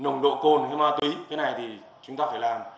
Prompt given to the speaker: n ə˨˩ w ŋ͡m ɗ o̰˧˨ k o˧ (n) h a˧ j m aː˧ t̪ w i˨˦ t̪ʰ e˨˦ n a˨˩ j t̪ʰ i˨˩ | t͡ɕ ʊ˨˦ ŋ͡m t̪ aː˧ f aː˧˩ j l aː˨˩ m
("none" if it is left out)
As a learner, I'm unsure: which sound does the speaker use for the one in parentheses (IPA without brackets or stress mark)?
n